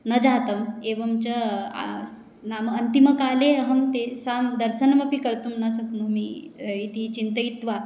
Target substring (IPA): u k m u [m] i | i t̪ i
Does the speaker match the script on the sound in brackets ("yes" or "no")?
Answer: yes